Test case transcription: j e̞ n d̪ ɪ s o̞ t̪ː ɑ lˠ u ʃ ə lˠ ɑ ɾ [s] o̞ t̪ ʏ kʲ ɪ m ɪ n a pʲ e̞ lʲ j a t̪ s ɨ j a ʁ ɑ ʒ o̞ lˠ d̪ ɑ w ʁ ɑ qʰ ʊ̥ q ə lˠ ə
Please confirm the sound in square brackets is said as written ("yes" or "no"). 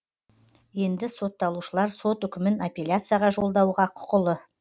yes